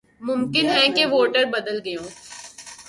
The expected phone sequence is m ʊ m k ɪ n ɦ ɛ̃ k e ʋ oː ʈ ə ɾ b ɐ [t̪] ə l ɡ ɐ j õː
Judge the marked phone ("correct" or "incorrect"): incorrect